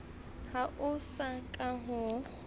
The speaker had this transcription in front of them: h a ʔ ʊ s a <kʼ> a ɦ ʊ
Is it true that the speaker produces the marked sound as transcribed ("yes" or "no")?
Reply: yes